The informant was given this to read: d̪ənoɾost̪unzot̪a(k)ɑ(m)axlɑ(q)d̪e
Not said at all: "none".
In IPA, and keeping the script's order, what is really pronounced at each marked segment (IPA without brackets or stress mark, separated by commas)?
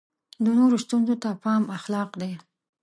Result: p, m, q